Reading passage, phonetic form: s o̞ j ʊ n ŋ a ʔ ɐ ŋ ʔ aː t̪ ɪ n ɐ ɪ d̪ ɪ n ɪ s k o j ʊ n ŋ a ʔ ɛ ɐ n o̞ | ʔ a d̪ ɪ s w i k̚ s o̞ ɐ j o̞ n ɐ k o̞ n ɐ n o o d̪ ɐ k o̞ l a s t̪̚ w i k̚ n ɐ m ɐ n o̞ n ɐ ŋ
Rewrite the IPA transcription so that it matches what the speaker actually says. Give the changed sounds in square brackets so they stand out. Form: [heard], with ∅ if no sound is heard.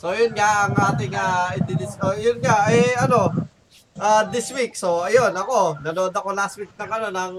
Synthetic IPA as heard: s o̞ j ʊ n ŋ a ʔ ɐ ŋ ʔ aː t̪ ɪ [ŋ] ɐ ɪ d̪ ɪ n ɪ s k o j ʊ n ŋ a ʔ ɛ ɐ n o̞ | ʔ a d̪ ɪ s w i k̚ s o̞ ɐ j o̞ n ɐ k o̞ n ɐ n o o d̪ ɐ k o̞ l a s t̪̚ w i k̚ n ɐ [ŋ] ɐ n o̞ n ɐ ŋ